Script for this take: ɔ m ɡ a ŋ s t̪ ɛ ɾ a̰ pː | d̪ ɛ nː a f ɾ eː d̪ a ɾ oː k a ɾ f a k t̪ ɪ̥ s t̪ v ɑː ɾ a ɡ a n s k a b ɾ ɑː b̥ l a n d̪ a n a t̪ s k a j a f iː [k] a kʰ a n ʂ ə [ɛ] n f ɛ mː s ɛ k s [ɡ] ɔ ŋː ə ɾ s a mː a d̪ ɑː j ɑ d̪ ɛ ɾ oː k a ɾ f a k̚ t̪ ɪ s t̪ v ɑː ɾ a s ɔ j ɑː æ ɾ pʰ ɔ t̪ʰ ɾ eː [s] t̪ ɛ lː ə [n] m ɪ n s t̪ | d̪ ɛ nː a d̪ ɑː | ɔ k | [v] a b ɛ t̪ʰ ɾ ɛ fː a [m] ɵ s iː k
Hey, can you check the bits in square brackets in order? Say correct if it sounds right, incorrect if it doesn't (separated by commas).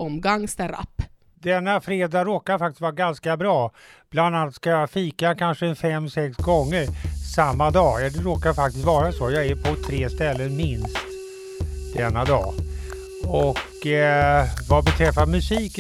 correct, correct, correct, correct, correct, correct, correct